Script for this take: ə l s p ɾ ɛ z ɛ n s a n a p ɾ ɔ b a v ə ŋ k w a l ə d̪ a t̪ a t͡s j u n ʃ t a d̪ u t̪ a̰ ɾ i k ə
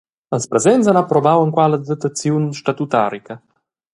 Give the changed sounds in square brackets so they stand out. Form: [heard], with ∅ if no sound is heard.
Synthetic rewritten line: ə l s p ɾ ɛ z ɛ n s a n a p ɾ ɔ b a [w] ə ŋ k w a l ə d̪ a t̪ a t͡s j u n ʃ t a [t̪] u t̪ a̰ ɾ i k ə